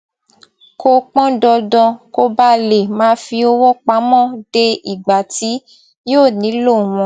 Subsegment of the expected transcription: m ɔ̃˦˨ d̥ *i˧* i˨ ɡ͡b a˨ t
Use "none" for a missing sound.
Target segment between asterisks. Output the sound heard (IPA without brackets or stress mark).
e˧